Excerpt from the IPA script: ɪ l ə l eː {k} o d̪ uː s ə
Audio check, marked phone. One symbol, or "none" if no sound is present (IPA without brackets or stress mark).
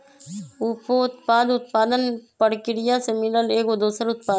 k